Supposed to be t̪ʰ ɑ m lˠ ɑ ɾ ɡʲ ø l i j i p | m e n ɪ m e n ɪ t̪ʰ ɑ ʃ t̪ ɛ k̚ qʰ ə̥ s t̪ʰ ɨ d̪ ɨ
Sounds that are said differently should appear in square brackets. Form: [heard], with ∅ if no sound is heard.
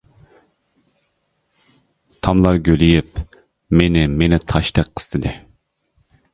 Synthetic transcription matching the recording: t̪ʰ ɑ m lˠ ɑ ɾ ɡʲ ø l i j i p | m e n ɪ m e n ɪ t̪ʰ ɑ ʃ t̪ ɛ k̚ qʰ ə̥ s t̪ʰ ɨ d̪ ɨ